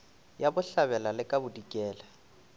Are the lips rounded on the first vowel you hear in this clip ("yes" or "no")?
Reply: no